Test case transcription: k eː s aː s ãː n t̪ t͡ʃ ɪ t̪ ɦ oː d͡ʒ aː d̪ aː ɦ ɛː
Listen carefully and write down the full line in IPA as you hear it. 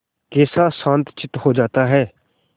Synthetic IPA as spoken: k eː s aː s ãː n t̪ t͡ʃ ɪ t̪ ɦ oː d͡ʒ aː t̪ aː ɦ ɛː